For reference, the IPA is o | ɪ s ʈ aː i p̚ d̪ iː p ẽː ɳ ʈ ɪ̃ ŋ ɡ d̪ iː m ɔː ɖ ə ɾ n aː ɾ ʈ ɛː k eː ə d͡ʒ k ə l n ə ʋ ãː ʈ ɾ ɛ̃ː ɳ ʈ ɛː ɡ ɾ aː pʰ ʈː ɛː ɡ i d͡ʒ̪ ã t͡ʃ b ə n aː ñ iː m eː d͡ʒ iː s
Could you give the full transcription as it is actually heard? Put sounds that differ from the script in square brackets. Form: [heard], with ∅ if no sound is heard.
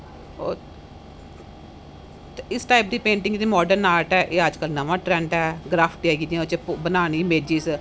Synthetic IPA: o | ɪ s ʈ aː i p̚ d̪ iː p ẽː ɳ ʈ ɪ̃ ŋ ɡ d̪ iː m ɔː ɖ ə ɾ n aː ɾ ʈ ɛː [ʔ] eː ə d͡ʒ k ə l n ə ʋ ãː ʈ ɾ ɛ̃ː ɳ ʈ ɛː ɡ ɾ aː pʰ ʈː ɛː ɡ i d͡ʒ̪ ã t͡ʃ b ə n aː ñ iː m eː d͡ʒ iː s